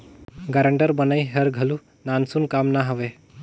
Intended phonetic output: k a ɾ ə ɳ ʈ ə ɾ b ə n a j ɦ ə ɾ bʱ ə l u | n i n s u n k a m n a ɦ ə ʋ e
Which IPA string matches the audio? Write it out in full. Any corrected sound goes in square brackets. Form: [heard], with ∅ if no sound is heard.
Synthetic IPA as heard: [ɡ] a ɾ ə ɳ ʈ ə ɾ b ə n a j ɦ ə ɾ [ɡʱ] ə l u | n [a] n s u n k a m n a ɦ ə ʋ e